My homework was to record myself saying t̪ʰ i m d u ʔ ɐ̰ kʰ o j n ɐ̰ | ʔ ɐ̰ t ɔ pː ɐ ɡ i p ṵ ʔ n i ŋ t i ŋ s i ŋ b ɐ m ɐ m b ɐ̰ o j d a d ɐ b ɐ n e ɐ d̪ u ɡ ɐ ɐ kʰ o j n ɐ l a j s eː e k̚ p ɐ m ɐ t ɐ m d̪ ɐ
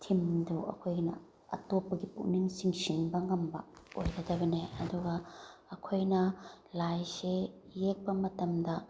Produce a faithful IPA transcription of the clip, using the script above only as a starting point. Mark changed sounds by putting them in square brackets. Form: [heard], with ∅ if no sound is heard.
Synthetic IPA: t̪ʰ i m d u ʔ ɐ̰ kʰ o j n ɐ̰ | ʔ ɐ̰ t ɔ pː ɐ ɡ i p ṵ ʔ n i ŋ [s] i ŋ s i ŋ b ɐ [ŋ] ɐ m b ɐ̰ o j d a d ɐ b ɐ n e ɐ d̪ u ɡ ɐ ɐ kʰ o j n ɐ l a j s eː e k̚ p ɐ m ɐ t ɐ m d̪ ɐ